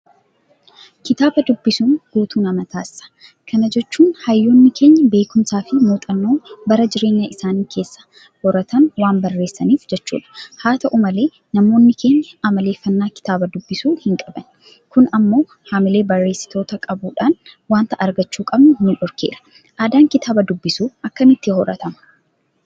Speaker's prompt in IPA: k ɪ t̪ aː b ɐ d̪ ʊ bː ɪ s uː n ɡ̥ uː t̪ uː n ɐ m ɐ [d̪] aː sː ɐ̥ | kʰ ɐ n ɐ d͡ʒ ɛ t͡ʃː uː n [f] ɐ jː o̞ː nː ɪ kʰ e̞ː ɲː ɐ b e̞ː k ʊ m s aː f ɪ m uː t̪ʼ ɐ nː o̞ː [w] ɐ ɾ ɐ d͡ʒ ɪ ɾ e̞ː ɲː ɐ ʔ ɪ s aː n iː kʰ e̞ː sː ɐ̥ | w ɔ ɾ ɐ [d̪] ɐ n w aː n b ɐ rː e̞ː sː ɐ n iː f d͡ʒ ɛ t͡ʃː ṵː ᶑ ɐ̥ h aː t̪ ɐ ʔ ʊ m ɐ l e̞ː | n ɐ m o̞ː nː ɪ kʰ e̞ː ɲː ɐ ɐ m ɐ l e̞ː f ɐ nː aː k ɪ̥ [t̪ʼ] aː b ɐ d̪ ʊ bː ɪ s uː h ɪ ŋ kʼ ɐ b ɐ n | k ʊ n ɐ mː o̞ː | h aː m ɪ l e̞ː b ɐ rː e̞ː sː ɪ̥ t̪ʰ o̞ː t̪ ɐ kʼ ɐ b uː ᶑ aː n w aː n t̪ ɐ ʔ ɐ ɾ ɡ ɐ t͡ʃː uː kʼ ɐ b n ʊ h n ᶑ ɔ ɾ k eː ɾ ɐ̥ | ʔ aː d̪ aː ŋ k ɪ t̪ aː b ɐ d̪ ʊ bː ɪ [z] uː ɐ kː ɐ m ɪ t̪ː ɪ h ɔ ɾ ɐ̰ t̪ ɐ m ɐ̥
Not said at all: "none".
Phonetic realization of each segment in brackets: t̪, h, b, t̪, t̪, s

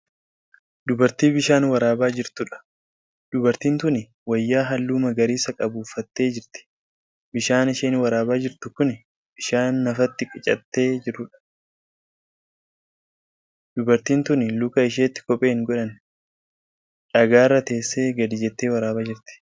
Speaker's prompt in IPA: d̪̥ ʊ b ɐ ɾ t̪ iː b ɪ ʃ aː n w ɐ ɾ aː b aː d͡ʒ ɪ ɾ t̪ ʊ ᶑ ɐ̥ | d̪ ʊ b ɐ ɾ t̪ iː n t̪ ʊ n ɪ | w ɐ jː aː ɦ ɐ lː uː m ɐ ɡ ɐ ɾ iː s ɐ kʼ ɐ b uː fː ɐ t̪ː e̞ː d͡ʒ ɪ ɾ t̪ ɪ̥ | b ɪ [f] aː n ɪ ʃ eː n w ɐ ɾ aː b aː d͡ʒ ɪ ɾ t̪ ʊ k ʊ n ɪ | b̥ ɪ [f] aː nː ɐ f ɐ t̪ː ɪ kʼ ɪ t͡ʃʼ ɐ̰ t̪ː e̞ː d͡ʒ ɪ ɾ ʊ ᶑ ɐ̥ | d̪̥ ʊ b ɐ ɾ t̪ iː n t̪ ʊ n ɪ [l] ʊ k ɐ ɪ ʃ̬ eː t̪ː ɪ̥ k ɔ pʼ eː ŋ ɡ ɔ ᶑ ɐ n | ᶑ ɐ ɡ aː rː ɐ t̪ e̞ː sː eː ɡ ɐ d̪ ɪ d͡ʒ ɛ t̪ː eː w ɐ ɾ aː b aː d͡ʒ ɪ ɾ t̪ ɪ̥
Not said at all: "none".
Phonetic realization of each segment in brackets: ʃ, ʃ, l

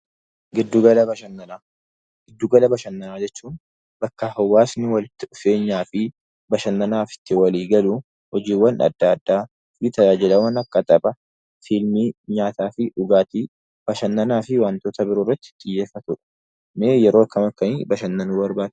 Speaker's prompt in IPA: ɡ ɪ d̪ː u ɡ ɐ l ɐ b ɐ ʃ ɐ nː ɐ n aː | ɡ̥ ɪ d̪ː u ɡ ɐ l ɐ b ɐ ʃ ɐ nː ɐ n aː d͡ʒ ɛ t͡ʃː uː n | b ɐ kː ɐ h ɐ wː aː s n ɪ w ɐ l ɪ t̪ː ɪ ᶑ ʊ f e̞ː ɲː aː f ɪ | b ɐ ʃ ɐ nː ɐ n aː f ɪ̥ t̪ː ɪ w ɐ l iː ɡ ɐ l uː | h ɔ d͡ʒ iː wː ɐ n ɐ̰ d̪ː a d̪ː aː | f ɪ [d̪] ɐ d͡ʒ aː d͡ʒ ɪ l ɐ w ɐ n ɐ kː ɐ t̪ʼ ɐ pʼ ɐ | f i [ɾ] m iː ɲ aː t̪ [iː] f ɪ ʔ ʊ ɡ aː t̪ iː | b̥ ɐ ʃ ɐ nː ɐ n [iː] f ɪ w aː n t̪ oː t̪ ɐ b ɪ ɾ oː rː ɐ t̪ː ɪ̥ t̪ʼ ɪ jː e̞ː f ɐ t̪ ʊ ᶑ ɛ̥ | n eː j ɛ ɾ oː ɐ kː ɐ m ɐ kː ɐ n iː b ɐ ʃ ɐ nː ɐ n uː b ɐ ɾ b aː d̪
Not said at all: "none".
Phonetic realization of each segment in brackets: t̪, l, aː, aː

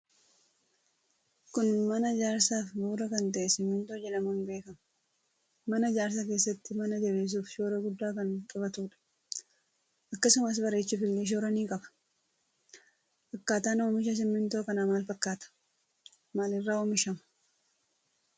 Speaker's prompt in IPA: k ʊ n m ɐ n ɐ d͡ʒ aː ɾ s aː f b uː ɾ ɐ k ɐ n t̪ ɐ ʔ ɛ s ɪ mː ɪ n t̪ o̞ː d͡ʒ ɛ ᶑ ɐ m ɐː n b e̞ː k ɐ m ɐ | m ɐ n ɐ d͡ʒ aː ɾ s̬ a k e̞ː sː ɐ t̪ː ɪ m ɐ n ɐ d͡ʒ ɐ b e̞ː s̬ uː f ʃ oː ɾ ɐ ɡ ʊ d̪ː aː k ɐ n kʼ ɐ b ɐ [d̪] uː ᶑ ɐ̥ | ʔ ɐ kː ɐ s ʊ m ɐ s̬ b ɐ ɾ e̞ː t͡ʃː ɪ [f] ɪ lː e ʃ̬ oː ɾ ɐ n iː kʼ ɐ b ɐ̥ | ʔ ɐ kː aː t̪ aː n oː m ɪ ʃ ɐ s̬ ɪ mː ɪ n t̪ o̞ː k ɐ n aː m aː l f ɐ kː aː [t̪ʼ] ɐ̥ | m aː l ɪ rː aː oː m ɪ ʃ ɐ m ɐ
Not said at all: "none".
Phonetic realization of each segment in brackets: t̪, f, t̪

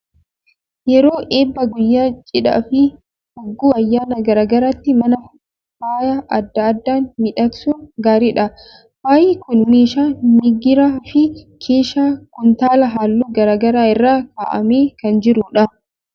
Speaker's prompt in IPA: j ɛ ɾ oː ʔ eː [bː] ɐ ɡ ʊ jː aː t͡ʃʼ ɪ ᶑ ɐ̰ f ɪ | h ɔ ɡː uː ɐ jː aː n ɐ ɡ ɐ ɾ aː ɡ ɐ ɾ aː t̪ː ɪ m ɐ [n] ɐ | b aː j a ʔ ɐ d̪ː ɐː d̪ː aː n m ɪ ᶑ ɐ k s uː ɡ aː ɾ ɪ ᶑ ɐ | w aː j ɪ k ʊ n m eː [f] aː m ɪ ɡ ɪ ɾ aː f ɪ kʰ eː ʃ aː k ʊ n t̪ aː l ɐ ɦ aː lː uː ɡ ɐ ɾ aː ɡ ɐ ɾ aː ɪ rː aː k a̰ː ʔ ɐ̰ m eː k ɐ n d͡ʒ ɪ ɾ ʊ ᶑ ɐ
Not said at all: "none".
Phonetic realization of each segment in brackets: bː, n, ʃ

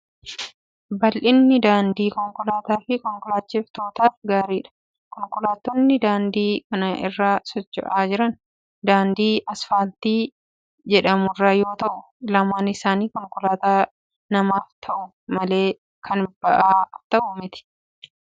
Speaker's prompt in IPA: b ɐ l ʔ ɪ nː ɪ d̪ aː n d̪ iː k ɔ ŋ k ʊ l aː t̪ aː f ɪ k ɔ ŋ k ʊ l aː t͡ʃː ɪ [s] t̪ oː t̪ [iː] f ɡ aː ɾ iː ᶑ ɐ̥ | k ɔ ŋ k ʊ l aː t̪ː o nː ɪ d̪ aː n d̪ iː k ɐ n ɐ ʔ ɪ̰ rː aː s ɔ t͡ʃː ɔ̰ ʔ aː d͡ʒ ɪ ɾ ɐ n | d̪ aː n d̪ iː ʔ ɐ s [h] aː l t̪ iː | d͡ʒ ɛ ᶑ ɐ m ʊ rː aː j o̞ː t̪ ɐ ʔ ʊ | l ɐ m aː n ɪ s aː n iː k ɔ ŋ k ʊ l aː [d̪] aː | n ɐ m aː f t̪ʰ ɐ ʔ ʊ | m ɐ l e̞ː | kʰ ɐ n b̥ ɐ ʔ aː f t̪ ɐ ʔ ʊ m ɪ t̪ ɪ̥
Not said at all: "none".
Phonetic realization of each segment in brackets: f, aː, f, t̪

